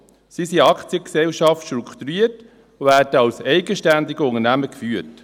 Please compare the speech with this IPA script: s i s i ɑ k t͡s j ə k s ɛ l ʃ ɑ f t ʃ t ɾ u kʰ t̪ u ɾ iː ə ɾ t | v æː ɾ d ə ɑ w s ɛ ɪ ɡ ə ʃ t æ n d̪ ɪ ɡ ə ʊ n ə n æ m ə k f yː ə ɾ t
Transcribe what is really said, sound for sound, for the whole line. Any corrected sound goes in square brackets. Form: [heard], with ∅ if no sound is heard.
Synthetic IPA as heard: s i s i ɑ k t͡s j ə k s ɛ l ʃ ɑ f t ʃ t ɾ u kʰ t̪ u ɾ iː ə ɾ t | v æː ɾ d ə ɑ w s ɛ ɪ ɡ ə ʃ t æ n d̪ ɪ ɡ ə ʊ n ə n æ m ə k f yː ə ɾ t